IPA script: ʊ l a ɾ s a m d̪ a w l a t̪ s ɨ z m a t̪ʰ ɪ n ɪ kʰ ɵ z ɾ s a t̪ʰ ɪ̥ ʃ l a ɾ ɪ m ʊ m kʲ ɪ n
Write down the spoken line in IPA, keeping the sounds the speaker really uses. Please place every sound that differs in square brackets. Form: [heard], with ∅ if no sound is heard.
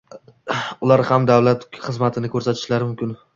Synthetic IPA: ʊ l a ɾ [h] a m d̪ a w l a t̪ [χ] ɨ z m a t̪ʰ ɪ n ɪ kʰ ɵ [∅] ɾ s a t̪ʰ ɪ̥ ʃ l a ɾ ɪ m ʊ m kʲ ɪ n